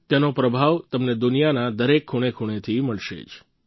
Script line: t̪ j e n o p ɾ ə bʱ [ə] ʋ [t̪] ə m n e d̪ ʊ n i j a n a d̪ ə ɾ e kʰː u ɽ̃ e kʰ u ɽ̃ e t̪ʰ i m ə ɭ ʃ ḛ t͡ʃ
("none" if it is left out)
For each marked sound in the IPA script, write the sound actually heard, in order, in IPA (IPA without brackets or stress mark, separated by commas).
a, t̪